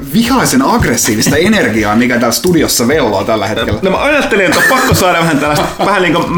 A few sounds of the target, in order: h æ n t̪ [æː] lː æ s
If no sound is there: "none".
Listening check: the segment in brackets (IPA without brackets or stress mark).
æ